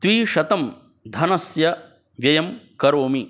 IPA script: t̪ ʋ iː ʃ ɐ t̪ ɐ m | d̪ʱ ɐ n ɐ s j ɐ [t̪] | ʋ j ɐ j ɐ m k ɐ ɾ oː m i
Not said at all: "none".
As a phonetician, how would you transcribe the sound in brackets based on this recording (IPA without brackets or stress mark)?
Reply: none